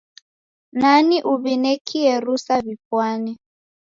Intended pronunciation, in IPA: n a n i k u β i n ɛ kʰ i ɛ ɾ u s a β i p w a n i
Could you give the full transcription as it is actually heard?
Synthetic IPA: n a n i ʔ u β i n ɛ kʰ i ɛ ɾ u s a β i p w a n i